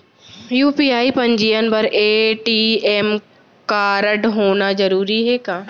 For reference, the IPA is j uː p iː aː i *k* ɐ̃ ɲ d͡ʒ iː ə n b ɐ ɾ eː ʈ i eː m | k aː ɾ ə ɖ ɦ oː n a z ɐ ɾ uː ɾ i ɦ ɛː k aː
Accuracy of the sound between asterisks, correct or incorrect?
incorrect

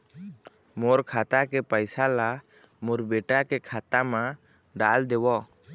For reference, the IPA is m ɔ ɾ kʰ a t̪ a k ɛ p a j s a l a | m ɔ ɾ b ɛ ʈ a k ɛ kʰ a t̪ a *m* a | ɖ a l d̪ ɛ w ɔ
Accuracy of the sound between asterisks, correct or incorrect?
correct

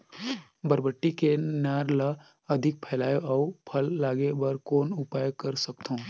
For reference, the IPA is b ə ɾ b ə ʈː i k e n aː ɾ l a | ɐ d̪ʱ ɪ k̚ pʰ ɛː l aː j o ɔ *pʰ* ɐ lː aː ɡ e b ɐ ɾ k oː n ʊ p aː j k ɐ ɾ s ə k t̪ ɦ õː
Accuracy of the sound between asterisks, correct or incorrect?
correct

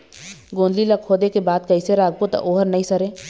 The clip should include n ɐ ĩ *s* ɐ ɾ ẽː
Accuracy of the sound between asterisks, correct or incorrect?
correct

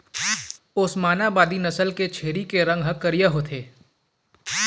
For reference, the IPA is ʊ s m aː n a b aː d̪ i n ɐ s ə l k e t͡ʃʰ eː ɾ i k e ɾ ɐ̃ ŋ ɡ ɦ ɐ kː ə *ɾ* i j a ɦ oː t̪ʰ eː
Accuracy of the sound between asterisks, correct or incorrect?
correct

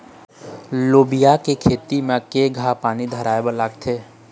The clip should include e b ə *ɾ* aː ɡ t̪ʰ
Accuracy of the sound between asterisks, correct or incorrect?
incorrect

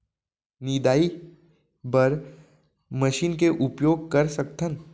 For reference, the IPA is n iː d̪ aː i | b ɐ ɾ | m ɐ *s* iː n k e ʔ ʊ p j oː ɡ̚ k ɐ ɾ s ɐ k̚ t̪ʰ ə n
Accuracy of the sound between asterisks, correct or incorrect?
incorrect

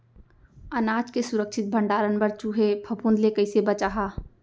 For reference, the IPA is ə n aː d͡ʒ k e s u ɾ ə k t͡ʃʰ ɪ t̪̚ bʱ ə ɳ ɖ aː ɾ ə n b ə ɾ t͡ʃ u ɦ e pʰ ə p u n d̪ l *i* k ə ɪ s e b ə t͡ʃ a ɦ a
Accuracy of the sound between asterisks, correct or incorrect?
incorrect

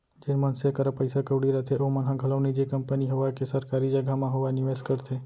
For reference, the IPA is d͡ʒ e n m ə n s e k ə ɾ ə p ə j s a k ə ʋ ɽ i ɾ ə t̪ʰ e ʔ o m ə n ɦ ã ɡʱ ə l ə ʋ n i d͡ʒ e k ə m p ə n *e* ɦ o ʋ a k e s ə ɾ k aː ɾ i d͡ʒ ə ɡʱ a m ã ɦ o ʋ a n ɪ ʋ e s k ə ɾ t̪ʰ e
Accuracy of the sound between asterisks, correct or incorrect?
incorrect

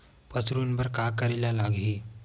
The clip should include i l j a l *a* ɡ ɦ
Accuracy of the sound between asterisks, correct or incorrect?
correct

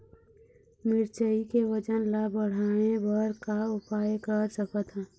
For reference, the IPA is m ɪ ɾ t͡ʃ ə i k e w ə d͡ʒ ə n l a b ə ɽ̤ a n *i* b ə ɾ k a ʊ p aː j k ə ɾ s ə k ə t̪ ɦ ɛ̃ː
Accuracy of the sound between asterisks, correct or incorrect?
incorrect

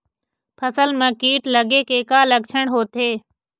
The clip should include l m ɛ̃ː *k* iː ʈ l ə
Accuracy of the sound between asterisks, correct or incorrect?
correct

